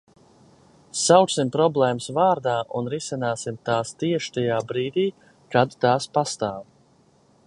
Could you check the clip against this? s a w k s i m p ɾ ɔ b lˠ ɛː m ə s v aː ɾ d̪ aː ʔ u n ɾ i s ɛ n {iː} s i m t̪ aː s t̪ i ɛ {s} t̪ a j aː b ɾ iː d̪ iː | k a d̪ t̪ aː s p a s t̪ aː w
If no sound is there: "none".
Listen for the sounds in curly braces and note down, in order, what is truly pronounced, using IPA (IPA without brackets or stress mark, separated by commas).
aː, ʃ